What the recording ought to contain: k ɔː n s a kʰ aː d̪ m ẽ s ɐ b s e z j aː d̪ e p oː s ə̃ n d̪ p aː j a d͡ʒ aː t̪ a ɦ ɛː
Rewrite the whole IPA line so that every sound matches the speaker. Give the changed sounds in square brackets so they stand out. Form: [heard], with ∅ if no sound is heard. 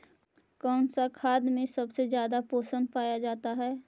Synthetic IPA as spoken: k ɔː n s a kʰ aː d̪ m ẽ s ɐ b s e z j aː d̪ [a] p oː s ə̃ n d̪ p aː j a d͡ʒ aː t̪ a ɦ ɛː